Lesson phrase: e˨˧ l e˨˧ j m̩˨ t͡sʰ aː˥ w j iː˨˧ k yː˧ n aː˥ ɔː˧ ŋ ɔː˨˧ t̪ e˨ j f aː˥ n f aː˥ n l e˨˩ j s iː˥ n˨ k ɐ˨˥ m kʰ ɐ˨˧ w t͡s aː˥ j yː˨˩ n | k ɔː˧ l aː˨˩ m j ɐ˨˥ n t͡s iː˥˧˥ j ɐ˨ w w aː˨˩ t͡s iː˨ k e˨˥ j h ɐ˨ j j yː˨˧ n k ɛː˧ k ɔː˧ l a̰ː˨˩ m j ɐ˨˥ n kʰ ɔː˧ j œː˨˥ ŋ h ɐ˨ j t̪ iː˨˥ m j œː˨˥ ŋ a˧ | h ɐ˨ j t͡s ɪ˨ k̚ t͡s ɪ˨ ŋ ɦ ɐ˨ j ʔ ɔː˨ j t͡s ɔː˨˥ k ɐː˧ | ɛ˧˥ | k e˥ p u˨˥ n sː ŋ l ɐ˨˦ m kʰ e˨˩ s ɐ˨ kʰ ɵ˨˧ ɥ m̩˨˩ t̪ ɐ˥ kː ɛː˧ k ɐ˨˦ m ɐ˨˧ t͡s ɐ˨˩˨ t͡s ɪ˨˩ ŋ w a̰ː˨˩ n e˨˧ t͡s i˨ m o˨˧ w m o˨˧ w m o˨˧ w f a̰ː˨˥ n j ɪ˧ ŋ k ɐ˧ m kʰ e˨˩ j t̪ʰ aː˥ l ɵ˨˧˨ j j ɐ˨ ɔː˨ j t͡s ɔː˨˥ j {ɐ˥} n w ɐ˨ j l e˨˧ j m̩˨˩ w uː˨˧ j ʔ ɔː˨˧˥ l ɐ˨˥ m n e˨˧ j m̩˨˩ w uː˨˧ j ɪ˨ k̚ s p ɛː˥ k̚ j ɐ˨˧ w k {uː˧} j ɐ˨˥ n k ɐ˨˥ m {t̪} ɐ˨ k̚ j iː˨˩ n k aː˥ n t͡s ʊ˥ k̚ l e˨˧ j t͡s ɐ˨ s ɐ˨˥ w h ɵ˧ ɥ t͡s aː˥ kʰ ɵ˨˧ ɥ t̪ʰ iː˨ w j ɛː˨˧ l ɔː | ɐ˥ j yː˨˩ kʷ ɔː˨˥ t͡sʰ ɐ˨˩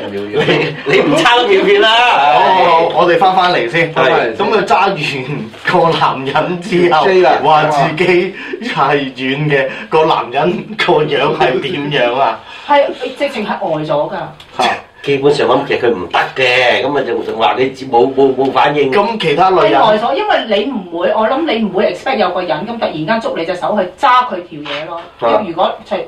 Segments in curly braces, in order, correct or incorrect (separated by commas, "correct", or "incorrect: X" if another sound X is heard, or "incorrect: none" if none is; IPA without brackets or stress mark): correct, incorrect: ɔː˧, correct